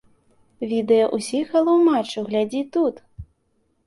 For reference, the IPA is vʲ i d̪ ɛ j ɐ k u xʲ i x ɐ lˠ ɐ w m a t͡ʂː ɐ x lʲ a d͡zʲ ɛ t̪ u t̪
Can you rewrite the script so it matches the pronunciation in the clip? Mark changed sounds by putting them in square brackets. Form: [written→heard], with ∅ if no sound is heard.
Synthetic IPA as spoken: vʲ i d̪ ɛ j ɐ [k→ʔ] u [xʲ→sʲ] i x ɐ lˠ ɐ w m a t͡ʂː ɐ [x→ɣ] lʲ a d͡zʲ [ɛ→i] t̪ u t̪